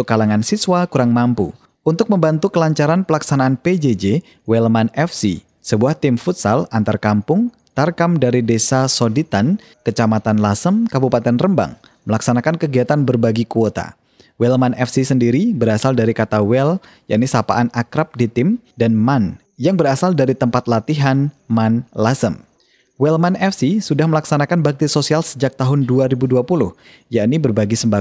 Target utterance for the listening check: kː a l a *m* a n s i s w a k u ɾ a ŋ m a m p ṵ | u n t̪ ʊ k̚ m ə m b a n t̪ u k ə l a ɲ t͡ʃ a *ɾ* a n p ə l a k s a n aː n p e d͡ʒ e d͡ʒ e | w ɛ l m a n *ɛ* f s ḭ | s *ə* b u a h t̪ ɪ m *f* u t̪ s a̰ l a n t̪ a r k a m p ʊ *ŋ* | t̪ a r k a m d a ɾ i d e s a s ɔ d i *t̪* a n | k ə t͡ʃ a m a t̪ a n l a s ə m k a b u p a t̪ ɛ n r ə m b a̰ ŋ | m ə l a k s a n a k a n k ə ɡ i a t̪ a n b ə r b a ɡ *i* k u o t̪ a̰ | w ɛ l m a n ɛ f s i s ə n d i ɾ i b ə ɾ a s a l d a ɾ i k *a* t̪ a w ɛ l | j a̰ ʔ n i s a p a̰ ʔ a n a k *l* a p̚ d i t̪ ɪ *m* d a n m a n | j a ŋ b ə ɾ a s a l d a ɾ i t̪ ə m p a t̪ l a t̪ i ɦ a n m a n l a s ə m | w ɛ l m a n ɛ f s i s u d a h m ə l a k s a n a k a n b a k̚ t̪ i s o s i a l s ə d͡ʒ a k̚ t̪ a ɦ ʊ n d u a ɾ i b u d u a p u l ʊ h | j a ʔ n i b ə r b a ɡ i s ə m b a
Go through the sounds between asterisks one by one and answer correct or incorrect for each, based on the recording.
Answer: incorrect: ŋ, correct, correct, correct, correct, correct, correct, correct, correct, incorrect: ɾ, correct

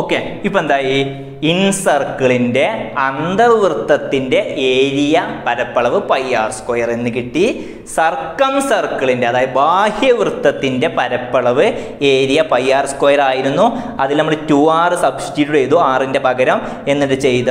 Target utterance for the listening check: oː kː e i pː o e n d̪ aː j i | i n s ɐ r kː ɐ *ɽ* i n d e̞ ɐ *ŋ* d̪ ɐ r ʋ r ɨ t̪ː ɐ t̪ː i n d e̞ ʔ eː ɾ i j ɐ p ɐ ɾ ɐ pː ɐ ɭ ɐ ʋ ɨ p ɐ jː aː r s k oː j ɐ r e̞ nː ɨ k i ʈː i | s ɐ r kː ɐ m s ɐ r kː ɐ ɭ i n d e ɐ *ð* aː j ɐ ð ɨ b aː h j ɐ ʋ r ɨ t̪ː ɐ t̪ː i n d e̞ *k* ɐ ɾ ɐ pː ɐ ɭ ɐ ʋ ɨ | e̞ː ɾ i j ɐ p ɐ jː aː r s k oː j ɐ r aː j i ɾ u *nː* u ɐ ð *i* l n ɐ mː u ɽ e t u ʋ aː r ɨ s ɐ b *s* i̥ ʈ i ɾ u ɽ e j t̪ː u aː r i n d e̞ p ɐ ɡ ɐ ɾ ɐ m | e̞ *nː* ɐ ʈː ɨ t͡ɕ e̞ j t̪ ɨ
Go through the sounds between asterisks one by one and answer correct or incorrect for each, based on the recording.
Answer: incorrect: ɭ, incorrect: n, correct, incorrect: p, correct, correct, correct, correct

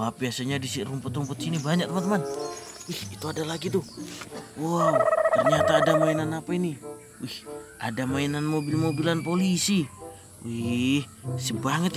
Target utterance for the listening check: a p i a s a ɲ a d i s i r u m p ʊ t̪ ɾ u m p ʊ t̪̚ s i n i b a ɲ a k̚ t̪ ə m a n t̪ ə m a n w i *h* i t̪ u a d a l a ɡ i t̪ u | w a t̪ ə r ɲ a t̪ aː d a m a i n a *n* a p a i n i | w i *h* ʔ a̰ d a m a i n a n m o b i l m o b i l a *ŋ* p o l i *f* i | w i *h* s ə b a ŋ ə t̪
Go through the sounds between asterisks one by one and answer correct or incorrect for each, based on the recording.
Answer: correct, correct, correct, incorrect: n, incorrect: s, correct

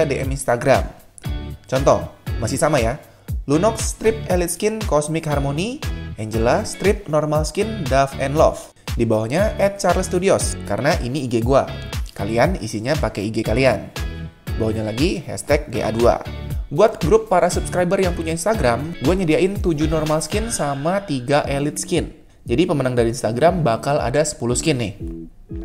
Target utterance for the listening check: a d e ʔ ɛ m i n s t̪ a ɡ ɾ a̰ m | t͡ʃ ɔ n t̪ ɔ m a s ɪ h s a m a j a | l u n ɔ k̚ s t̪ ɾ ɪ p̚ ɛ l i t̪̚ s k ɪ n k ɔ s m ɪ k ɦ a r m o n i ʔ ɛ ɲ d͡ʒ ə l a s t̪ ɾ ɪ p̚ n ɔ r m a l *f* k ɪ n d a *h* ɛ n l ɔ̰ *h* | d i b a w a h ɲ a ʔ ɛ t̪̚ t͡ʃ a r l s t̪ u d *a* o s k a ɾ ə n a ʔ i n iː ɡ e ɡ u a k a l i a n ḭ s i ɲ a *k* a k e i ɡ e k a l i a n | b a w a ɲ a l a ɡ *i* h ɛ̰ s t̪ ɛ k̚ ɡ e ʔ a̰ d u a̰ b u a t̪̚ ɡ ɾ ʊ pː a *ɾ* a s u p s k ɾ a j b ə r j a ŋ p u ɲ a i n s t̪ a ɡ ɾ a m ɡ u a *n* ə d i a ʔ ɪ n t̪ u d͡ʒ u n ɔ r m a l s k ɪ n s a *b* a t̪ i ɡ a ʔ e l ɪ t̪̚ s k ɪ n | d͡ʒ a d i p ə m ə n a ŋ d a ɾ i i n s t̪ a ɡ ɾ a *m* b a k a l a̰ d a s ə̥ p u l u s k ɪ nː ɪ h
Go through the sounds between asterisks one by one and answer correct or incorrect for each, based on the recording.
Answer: incorrect: s, incorrect: f, incorrect: f, incorrect: i, incorrect: p, correct, correct, incorrect: ɲ, incorrect: m, correct

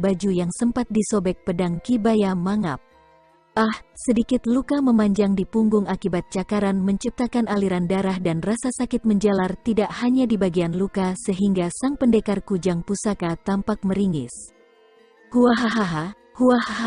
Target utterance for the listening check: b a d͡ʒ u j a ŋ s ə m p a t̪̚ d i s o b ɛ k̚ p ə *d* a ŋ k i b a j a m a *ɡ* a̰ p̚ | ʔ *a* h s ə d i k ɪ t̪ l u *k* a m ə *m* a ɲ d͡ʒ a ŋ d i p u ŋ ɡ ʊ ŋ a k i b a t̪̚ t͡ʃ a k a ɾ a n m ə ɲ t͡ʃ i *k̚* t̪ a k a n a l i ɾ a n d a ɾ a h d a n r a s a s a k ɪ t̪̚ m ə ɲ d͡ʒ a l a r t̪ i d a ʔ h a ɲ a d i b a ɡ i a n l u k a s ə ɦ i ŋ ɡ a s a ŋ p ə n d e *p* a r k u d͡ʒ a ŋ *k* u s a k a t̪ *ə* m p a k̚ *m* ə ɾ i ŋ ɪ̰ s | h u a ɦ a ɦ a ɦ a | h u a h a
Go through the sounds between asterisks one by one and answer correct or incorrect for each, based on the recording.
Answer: correct, incorrect: ŋ, correct, correct, correct, incorrect: p̚, incorrect: k, incorrect: p, incorrect: a, correct

